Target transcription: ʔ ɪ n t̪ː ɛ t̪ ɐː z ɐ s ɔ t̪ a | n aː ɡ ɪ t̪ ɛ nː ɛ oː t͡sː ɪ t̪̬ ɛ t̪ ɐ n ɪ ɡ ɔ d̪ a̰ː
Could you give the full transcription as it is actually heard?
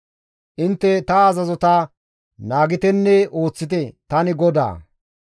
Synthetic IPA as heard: ʔ ɪ n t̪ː ɛ t̪ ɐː z ɐ z ɔ t̪ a | n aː ɡ ɪ t̪ ɛ nː ɛ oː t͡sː ɪ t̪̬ ɛ t̪ ɐ n ɪ ɡ ɔ d̪ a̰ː